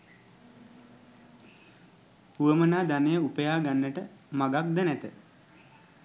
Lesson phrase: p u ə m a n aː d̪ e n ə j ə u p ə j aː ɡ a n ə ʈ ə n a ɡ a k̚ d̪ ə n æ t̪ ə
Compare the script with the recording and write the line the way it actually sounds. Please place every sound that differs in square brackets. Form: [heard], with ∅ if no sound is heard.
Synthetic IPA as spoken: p u ə m [ə] n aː d̪ [a] n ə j ə u p ə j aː ɡ a [nː] ə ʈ ə [m] a ɡ a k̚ d̪ ə n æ t̪ ə